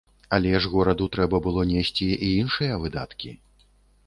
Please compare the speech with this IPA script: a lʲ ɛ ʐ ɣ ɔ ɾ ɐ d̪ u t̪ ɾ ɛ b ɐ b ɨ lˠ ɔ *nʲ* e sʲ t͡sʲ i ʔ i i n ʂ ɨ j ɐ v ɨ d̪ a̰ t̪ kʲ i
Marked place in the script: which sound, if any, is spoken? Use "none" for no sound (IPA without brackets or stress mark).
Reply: nʲ